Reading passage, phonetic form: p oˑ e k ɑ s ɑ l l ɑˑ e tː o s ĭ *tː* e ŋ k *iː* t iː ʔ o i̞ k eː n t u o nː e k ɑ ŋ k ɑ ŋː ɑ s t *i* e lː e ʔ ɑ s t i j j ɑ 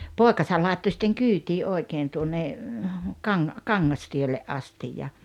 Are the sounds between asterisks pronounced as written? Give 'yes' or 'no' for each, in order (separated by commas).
yes, no, yes